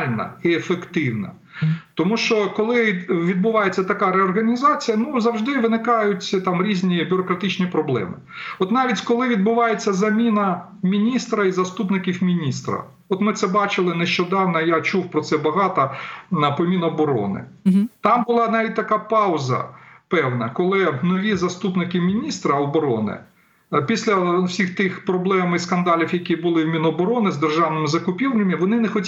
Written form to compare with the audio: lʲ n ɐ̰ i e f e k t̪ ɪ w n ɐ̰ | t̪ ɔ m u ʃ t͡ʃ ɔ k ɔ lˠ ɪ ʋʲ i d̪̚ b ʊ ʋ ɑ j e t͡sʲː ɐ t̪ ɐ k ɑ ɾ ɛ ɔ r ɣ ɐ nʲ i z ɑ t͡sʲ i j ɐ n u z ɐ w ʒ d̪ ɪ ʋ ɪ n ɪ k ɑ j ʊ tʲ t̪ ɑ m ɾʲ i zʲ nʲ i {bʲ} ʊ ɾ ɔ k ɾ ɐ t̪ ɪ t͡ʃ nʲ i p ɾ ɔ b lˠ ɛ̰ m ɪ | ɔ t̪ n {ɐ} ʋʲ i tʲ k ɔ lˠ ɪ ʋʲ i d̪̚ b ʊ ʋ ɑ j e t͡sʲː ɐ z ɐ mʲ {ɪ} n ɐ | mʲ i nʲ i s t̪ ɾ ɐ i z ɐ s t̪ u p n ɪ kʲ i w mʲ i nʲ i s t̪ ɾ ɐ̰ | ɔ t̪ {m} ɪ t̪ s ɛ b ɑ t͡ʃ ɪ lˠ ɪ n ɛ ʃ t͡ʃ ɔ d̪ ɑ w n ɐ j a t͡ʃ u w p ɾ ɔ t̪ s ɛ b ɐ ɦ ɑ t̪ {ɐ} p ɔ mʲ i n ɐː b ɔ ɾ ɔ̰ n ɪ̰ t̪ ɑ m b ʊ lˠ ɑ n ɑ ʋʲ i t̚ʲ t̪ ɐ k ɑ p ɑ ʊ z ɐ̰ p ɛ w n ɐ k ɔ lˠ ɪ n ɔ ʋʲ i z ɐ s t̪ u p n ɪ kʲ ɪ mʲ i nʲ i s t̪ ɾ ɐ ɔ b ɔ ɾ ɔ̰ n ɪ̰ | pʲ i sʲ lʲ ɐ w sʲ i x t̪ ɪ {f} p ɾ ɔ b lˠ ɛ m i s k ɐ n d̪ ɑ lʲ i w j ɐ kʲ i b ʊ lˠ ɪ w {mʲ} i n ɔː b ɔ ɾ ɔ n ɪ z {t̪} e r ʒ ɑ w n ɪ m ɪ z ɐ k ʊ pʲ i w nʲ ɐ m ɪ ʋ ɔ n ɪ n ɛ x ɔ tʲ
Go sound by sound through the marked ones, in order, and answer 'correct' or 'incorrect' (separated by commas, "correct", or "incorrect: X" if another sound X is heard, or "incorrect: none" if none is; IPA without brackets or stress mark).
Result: correct, incorrect: ɑ, incorrect: i, correct, correct, incorrect: x, correct, incorrect: d̪